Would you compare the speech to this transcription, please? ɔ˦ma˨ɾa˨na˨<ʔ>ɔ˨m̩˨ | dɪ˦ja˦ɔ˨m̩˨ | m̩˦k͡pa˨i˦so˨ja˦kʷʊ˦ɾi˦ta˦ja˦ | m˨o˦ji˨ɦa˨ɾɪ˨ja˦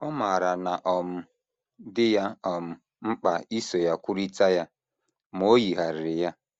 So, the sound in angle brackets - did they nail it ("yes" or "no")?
yes